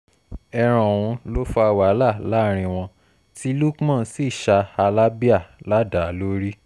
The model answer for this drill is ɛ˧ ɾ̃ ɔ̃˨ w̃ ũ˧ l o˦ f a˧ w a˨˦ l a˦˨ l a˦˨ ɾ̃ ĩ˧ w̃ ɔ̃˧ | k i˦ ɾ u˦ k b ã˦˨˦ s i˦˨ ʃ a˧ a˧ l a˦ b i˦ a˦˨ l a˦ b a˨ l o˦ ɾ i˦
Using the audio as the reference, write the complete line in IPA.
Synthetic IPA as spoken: ɛ˧ ɾ̃ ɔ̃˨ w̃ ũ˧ l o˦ f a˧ w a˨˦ l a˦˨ l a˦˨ ɾ̃ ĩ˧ w̃ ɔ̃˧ | t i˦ l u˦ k m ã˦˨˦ s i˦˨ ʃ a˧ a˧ l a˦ b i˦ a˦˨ l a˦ d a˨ l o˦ ɾ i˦